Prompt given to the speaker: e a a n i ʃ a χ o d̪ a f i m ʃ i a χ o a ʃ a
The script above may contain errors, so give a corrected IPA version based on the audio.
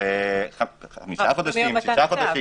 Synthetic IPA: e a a m i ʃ a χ o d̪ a ʃ i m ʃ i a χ o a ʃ i